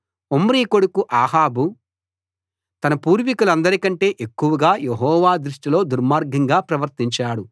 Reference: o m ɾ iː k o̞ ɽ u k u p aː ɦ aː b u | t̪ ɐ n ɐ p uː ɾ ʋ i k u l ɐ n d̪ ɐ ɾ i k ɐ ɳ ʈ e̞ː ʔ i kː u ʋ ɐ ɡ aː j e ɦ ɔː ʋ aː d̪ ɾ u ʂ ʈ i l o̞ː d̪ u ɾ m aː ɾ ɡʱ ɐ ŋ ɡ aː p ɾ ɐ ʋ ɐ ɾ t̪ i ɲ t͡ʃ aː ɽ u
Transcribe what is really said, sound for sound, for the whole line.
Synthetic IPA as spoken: o m ɾ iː k o̞ ɽ u k u ʔ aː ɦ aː b u | t̪ ɐ n ɐ p uː ɾ ʋ i k u l ɐ n d̪ ɐ ɾ i k ɐ ɳ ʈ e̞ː ʔ e kː u ʋ ɐ ɡ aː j e ɦ ɔː ʋ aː d̪ ɾ u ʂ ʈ i l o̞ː d̪ u ɾ m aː ɾ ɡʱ ɐ ŋ ɡ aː p ɾ ɐ ʋ ɐ ɾ t̪ i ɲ t͡ʃ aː ɽ u